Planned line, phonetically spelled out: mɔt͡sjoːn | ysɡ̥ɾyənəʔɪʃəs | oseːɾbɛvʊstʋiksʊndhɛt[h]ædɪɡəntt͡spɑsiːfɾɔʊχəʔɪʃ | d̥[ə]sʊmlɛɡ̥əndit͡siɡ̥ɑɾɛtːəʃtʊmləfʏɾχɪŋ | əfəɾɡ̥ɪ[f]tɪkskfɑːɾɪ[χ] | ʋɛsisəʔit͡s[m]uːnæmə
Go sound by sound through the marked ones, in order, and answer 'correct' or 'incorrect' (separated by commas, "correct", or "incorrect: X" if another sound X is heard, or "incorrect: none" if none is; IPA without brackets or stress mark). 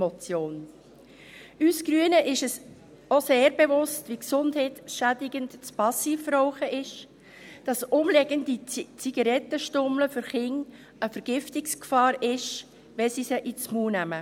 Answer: incorrect: ʃ, incorrect: ɑ, correct, incorrect: ʃ, correct